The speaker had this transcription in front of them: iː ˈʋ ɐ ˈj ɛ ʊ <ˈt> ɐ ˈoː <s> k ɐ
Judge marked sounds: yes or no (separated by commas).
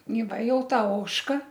yes, no